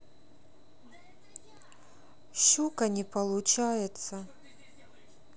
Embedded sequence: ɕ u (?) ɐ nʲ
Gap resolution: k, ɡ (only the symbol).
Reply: k